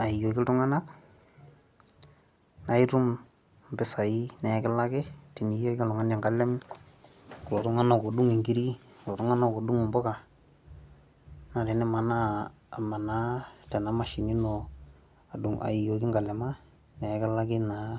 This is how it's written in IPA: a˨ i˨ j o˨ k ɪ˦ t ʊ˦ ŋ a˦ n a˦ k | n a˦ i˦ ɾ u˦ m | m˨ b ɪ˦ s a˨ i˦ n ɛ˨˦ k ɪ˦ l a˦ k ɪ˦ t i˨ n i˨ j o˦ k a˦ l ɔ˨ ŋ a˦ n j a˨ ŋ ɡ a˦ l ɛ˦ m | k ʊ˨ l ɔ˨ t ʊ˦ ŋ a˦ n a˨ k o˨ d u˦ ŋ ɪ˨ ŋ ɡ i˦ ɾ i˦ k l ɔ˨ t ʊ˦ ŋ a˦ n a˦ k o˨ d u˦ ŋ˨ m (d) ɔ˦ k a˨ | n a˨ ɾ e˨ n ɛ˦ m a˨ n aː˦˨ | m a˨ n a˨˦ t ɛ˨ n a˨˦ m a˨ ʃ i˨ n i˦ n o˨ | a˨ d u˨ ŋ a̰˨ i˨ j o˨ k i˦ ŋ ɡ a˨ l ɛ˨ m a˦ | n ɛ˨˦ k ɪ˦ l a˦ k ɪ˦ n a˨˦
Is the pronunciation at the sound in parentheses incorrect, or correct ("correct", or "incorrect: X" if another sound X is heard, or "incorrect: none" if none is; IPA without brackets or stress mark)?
incorrect: b